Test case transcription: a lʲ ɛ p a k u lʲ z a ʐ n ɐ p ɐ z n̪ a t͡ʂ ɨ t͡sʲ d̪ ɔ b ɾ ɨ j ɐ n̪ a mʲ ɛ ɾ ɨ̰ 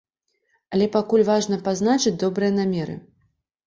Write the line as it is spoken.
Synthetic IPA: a lʲ ɛ p a k u lʲ v a ʐ n ɐ p a z n̪ a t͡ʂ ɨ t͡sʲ d̪ ɔ b ɾ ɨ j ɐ n̪ a mʲ ɛ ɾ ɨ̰